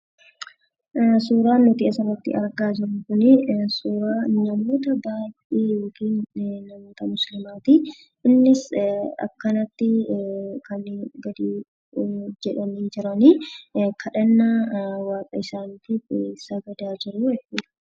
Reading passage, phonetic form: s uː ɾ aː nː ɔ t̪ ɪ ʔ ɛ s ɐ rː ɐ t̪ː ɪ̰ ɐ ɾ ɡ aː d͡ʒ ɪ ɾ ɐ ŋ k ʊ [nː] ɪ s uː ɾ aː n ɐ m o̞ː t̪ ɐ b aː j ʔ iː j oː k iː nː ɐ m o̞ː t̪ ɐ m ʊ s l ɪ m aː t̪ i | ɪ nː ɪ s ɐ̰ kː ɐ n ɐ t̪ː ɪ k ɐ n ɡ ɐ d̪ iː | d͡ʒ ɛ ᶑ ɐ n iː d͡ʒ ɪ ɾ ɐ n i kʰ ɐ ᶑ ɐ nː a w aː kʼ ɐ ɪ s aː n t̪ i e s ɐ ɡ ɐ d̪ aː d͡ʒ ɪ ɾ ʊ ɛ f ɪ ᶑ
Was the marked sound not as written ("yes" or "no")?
yes